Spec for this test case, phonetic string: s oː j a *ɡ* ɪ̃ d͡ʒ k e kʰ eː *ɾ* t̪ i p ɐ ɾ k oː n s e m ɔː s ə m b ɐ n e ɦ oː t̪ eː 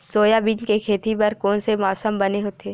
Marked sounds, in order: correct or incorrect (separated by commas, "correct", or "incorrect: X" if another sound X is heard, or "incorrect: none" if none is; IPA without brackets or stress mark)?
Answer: incorrect: b, incorrect: none